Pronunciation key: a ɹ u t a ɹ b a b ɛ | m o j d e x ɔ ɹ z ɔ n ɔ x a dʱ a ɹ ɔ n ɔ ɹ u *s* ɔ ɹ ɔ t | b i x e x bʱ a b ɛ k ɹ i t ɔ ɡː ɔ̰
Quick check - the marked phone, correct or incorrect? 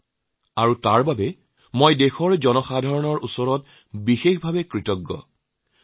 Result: correct